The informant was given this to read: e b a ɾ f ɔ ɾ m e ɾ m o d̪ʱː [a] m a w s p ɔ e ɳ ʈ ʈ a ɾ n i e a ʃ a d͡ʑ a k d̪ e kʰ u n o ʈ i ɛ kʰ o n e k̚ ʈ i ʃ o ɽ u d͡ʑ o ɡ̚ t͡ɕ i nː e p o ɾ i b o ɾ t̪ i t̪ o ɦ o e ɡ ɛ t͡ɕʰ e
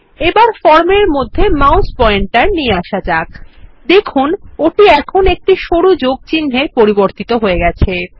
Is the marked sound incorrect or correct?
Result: incorrect